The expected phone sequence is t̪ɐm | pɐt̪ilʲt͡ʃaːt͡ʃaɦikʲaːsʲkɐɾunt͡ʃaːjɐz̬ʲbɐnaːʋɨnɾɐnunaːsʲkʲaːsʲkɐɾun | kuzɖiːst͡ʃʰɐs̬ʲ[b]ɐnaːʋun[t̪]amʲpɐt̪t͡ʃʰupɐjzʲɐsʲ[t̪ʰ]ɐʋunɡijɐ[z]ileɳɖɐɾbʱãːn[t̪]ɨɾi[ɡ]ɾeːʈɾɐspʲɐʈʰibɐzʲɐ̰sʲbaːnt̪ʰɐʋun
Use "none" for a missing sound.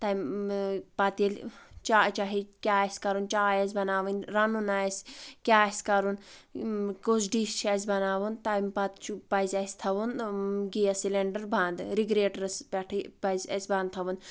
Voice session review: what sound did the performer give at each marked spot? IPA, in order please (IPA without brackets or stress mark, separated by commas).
b, t̪, t̪ʰ, s, d̪, ɡ